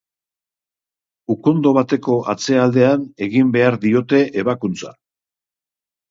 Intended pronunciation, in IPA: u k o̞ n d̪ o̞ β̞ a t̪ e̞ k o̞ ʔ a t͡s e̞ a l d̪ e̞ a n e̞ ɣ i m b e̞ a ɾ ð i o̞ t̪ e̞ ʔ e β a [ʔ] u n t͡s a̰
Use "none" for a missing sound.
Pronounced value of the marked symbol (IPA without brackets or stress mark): k